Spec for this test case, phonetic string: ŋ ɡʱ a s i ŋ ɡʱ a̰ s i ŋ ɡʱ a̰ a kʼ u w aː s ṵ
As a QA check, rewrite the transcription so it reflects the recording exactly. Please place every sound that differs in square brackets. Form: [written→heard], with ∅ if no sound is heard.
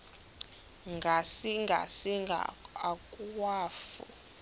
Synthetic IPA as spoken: ŋ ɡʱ a s i ŋ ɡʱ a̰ s i ŋ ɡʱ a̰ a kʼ u w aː [s→f] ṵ